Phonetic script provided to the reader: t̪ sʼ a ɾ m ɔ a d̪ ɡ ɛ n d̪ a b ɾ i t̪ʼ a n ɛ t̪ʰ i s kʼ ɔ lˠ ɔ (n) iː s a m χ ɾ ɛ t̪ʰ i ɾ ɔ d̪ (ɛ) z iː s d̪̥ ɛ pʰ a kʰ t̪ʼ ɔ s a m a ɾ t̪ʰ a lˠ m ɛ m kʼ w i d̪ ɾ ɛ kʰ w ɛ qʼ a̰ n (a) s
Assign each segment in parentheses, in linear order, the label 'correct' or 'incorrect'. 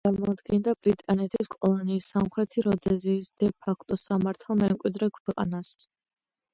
correct, correct, correct

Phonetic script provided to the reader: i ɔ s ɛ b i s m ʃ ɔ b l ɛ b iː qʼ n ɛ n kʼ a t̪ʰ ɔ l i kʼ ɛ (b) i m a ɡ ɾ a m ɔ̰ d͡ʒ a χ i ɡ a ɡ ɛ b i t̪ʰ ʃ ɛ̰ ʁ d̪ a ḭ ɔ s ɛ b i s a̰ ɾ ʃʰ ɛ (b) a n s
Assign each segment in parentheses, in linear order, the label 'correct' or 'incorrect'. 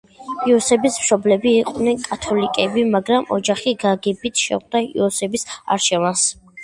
correct, incorrect: v

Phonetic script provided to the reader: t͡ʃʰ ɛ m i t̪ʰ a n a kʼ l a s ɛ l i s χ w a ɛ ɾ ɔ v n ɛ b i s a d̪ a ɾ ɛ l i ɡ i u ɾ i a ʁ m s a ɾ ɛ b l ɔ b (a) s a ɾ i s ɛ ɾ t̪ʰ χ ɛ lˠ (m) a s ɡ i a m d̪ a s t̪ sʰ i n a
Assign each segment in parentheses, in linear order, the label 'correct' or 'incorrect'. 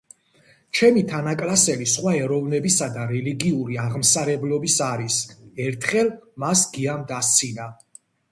incorrect: i, correct

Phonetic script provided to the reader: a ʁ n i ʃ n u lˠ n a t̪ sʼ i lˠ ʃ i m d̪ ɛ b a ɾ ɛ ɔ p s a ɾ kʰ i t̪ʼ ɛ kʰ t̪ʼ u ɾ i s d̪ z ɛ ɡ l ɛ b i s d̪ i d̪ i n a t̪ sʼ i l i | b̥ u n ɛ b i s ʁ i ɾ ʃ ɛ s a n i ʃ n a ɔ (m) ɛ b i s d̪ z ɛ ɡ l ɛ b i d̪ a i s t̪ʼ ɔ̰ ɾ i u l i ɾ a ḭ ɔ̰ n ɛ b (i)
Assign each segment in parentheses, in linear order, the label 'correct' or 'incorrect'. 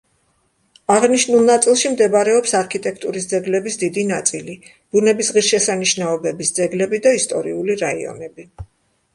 incorrect: b, correct

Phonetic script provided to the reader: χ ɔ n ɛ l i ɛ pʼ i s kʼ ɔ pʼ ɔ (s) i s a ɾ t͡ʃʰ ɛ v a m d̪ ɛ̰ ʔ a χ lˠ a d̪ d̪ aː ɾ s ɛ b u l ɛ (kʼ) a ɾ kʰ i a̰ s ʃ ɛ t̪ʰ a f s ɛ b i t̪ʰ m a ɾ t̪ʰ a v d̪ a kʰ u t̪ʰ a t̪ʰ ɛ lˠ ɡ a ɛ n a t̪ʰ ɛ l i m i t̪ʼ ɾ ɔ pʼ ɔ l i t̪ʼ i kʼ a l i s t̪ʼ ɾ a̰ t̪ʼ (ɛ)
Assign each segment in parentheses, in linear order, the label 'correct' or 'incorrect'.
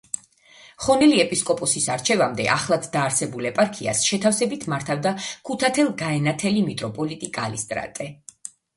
correct, incorrect: pʼ, correct

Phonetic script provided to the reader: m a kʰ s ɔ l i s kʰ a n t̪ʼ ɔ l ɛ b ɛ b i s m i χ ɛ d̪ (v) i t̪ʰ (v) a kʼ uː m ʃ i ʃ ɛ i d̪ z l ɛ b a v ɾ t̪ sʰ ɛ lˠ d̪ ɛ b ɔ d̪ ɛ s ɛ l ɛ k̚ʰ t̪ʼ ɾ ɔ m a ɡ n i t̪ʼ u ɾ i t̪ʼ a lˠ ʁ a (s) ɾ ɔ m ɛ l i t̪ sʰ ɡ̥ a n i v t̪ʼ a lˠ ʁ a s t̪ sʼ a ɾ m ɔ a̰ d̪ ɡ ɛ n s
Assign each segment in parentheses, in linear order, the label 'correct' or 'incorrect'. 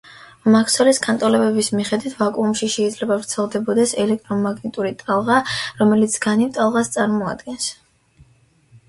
incorrect: w, correct, incorrect: none

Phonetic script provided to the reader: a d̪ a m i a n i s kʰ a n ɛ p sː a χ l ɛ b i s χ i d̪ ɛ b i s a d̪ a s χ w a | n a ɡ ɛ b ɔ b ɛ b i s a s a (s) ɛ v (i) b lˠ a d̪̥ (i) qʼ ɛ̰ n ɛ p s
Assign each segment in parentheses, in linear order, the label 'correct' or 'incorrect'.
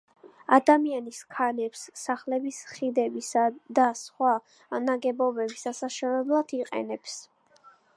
incorrect: ʃ, incorrect: ɛ, correct

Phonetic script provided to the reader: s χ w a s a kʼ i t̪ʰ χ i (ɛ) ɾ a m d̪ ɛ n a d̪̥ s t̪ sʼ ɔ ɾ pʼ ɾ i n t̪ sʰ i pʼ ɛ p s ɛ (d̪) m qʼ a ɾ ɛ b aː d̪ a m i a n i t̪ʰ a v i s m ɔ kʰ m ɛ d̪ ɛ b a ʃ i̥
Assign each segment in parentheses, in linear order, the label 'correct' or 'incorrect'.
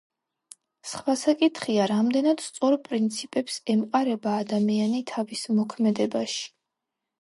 incorrect: a, incorrect: none

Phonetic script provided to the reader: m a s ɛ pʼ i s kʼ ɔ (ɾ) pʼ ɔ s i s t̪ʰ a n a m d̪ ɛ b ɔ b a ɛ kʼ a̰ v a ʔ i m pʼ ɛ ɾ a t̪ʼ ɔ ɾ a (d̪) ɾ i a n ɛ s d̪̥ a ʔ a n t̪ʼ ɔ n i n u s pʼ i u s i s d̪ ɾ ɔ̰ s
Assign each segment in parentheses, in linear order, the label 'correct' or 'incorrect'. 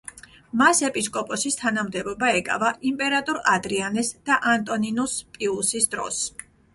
incorrect: none, correct

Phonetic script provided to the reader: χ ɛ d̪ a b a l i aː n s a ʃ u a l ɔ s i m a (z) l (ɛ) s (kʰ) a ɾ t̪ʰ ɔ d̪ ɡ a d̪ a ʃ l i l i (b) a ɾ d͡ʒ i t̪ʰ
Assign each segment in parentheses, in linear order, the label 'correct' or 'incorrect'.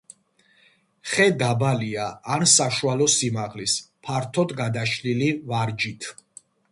incorrect: ʁ, incorrect: i, incorrect: pʰ, incorrect: v

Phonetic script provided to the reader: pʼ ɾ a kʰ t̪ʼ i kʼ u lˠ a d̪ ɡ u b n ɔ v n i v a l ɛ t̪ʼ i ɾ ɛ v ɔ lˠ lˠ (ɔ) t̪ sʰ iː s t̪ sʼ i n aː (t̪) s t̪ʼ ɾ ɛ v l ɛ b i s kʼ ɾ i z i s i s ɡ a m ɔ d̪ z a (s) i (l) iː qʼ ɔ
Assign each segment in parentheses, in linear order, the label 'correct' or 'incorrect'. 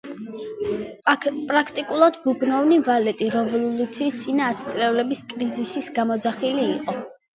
incorrect: u, correct, incorrect: χ, correct

